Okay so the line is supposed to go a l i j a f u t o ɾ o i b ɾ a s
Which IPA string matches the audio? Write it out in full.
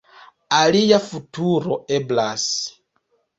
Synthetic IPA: a l i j a f u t u ɾ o e b l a s

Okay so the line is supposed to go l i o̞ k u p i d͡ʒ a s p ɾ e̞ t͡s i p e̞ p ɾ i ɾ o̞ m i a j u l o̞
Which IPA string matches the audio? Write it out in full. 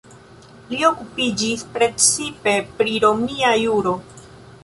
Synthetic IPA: l i o̞ k u p i d͡ʒ i s p ɾ e̞ t͡s i p e̞ p ɾ i ɾ o̞ m i a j u ɾ o̞

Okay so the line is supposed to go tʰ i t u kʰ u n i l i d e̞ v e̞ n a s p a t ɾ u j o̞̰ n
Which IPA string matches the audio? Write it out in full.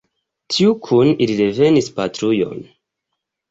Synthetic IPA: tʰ i u kʰ u n i l i d e̞ v e̞ n i s p a t ɾ u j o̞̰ n

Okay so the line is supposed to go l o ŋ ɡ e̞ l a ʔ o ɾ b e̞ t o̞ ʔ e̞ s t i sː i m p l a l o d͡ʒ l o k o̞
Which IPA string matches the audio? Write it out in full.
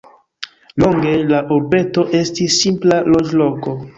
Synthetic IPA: l o ŋ ɡ e̞ l a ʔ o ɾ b e̞ t o̞ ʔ e̞ s t i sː i m p l a l o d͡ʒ l o k o̞

